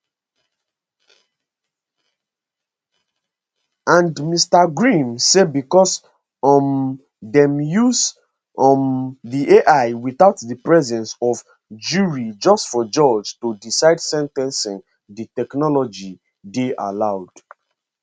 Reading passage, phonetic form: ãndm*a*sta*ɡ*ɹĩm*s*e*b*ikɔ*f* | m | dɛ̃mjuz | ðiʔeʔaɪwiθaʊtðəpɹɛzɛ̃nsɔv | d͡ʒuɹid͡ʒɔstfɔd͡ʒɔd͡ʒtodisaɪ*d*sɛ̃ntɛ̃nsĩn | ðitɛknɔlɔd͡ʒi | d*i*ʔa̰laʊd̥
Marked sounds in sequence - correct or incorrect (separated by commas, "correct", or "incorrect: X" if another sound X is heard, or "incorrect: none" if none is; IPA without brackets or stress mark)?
incorrect: i, correct, correct, correct, incorrect: s, correct, incorrect: e